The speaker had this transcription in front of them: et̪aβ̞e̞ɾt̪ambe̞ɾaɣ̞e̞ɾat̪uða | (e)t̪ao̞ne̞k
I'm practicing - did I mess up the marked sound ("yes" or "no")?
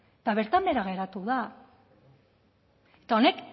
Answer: no